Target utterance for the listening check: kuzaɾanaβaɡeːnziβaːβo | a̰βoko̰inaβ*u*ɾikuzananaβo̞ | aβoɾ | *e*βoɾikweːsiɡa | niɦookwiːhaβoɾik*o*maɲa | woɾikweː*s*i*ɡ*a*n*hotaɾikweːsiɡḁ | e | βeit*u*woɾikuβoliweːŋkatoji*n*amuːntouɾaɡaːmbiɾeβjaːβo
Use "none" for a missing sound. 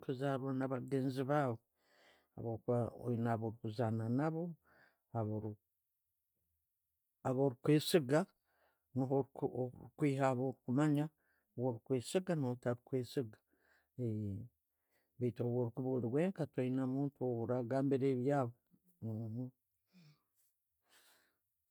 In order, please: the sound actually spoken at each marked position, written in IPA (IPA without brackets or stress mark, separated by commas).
o, a, u, s, ɡ, n, o, n